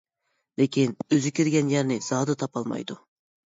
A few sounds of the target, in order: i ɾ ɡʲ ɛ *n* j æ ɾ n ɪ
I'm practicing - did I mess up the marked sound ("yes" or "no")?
no